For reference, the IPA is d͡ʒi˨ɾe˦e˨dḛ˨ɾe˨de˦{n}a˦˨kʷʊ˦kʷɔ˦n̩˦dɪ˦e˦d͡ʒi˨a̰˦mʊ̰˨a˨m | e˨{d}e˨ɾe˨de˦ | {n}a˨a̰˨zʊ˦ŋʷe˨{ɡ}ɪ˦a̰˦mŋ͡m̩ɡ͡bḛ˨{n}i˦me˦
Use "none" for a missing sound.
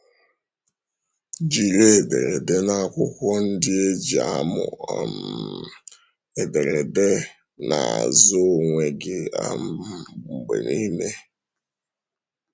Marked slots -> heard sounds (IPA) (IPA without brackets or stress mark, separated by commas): n, d, n, ɡ, n